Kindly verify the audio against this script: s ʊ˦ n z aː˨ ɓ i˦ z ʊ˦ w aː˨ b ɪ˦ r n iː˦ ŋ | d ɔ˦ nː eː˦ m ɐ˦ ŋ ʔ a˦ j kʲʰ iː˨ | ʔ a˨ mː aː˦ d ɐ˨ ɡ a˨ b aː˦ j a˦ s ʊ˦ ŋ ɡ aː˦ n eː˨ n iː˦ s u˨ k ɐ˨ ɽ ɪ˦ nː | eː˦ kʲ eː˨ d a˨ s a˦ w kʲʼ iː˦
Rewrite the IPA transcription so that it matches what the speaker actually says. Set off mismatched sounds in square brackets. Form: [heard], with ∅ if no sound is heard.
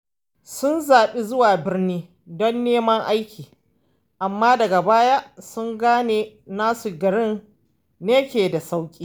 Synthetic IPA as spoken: s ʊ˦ n z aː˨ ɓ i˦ z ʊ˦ w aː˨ b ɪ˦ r n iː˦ [∅] | d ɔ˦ nː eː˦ m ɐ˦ ŋ ʔ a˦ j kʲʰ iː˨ | ʔ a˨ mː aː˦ d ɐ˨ ɡ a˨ b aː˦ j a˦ s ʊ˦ ŋ ɡ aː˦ n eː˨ n [aː˦] s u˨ [ɡ] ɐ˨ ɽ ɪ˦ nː | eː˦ kʲ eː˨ d a˨ s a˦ w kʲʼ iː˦